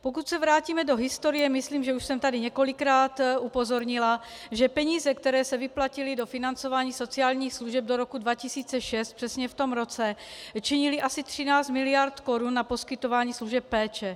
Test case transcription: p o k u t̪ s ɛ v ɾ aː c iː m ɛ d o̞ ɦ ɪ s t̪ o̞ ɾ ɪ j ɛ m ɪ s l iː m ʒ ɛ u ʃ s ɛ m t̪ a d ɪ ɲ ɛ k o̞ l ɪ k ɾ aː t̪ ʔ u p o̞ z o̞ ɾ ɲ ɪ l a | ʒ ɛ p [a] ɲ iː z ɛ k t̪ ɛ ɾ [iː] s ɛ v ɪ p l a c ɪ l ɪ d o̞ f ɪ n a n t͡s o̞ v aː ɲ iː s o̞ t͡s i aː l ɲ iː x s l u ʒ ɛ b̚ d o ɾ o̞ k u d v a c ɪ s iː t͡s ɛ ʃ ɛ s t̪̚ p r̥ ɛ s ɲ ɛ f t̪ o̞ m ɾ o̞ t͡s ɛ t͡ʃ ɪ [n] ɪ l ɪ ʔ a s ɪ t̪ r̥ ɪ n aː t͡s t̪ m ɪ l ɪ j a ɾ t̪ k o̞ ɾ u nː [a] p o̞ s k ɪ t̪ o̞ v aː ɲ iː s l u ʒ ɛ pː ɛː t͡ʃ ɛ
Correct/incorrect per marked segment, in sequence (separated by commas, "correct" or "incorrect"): incorrect, incorrect, incorrect, correct